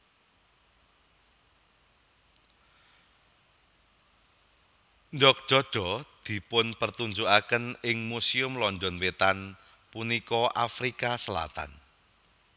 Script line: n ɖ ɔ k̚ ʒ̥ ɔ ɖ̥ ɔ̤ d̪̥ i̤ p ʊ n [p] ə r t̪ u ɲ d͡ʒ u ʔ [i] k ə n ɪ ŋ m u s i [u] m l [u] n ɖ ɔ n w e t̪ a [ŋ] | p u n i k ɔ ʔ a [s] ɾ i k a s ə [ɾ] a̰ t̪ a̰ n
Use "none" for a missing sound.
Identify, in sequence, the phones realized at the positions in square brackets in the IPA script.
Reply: p, a, ʊ, ɔ, n, f, l

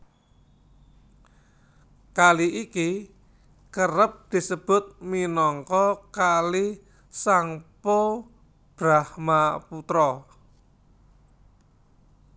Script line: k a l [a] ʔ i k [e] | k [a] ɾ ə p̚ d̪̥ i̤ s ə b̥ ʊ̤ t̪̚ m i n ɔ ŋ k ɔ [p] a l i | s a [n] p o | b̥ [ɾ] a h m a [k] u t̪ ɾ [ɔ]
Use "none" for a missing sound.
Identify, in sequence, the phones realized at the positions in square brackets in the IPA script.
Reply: i, i, ə, k, ŋ, ɾ, p, ɔ

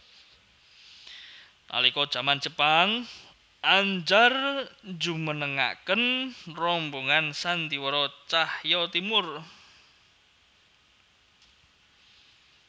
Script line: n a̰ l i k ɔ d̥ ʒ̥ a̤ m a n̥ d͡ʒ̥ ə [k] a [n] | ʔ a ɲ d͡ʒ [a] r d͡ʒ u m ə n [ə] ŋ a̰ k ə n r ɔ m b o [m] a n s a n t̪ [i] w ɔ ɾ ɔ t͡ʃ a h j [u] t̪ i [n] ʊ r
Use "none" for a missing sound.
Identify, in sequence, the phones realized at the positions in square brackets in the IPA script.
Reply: p, ŋ, a, ə, ŋ, i, ɔ, m

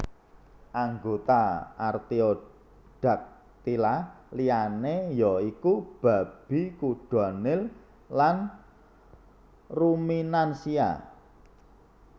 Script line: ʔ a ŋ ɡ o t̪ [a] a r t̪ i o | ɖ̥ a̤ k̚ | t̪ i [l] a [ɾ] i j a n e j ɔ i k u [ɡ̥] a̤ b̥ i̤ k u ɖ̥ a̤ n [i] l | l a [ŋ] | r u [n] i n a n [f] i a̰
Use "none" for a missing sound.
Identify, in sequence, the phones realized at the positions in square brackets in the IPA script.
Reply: a, l, l, b̥, ɪ, n, m, s

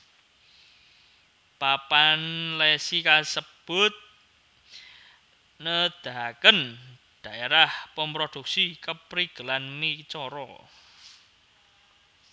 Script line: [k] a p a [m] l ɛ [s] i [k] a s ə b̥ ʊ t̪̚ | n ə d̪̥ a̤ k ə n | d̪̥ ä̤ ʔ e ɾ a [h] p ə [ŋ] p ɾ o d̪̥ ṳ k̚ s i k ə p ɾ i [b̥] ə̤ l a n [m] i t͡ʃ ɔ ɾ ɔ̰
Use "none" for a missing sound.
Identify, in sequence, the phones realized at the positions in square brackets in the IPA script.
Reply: p, n, s, k, h, m, ɡ̥, m

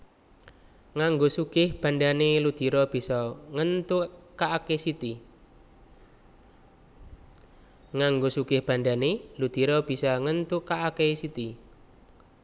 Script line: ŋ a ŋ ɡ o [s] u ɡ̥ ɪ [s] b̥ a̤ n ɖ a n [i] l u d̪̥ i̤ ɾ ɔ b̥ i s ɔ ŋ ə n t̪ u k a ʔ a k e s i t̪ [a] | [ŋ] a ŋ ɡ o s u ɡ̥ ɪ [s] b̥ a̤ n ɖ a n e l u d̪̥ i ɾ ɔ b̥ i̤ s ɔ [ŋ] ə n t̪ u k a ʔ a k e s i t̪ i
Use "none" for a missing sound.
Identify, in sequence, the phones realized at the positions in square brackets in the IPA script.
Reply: s, h, e, i, ŋ, h, ŋ

